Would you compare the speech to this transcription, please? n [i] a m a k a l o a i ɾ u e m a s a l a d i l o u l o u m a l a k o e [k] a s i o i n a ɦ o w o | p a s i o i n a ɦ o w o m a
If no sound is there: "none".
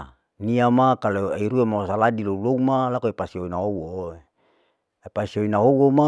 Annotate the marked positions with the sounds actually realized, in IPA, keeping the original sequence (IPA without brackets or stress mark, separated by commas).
i, p